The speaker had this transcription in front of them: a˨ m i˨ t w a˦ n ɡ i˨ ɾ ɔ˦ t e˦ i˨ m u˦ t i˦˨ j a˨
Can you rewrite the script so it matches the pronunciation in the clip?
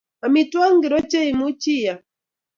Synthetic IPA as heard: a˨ m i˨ t w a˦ ŋ ɡ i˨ ɾ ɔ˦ t͡ʃ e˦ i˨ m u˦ t͡ʃ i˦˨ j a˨